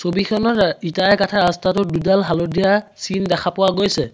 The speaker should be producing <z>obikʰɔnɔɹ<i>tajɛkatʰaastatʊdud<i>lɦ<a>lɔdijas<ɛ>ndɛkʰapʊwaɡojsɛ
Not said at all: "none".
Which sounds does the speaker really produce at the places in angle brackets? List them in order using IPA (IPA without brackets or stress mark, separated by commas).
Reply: s, i, a, a, i